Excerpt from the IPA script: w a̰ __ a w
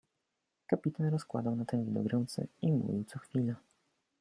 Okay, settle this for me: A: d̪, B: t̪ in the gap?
A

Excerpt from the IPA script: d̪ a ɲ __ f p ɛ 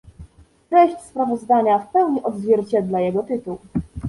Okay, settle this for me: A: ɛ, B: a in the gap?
B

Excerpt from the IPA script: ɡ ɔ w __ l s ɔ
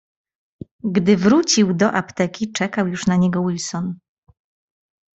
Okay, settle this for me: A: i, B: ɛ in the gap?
A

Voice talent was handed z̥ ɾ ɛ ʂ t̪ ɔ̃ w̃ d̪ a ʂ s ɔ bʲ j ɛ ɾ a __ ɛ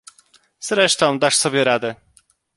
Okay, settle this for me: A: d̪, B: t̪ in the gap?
A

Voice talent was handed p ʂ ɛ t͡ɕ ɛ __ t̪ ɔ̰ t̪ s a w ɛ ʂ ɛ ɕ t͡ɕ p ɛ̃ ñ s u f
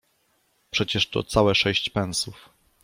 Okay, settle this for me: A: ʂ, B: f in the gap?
A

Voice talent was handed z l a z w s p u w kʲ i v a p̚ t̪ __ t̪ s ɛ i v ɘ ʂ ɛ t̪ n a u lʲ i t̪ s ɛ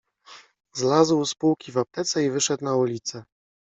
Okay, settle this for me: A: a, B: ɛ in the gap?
B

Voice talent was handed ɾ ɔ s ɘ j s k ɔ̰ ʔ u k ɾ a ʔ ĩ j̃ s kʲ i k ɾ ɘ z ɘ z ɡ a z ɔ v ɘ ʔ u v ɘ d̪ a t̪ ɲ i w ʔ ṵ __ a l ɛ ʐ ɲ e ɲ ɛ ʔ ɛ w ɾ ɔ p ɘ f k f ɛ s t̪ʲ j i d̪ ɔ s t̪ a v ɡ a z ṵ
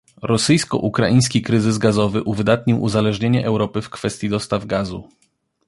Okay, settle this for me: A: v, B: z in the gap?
B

